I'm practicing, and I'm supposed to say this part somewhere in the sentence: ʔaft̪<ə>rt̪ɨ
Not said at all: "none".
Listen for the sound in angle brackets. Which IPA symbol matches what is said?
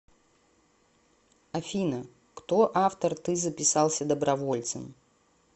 ə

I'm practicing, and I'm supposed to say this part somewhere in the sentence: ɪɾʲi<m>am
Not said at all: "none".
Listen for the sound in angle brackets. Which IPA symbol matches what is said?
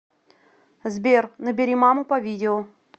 m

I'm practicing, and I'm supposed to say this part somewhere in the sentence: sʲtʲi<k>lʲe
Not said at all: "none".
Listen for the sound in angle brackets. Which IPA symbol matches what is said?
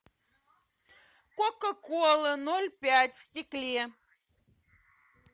k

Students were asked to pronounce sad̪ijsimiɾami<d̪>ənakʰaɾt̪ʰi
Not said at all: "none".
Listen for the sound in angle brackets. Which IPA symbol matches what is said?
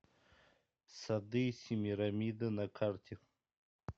d̪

